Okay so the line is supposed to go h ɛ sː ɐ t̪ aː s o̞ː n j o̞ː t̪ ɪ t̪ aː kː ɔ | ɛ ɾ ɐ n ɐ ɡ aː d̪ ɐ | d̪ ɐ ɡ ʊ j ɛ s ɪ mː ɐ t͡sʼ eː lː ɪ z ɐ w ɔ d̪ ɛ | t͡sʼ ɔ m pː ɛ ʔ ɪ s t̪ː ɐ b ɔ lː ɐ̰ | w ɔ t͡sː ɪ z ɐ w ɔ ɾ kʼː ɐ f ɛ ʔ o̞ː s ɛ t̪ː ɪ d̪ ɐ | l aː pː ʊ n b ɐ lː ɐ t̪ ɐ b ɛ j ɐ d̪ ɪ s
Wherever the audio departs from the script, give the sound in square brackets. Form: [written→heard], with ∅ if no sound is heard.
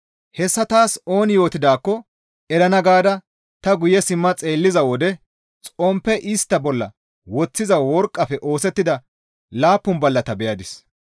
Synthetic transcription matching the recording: h ɛ sː ɐ t̪ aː s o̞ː n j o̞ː t̪ ɪ [t̪→d̪] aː kː ɔ | ɛ ɾ ɐ n ɐ ɡ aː d̪ ɐ | [d̪→t̪] ɐ ɡ ʊ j ɛ s ɪ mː ɐ t͡sʼ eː lː ɪ z ɐ w ɔ d̪ ɛ | t͡sʼ ɔ m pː ɛ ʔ ɪ s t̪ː ɐ b ɔ lː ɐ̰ | w ɔ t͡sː ɪ z ɐ w ɔ ɾ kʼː ɐ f ɛ ʔ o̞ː s ɛ t̪ː ɪ d̪ ɐ | l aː pː ʊ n b ɐ lː ɐ t̪ ɐ b ɛ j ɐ d̪ ɪ s